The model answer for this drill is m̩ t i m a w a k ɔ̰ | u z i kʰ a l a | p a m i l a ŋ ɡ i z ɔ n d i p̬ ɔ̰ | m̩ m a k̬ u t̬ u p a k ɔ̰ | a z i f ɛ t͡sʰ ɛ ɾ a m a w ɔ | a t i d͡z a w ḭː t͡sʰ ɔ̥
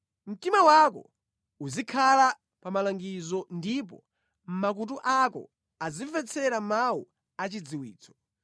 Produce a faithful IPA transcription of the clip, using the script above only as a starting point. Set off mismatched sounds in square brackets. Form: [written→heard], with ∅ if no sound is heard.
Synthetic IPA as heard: m̩ t i m a w a k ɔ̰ | u z i kʰ a l a | p a m [i→a] l a ŋ ɡ i z ɔ n d i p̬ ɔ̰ | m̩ m a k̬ u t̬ u [p→ʔ] a k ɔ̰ | a z i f ɛ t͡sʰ ɛ ɾ a m a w [ɔ→u] | a [t→t͡ʃ] i d͡z [a→i] w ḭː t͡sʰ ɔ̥